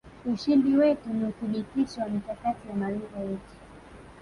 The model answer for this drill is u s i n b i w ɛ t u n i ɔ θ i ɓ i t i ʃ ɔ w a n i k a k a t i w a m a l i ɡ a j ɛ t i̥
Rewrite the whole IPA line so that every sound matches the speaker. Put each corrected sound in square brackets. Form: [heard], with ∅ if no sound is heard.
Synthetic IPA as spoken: u [ʃ] i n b i w ɛ t u n i [u] θ i ɓ i t i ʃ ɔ w a [m] i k a k a t i w a m a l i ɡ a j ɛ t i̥